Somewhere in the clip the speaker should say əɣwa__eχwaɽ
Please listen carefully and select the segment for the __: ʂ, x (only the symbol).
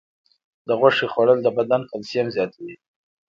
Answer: ʂ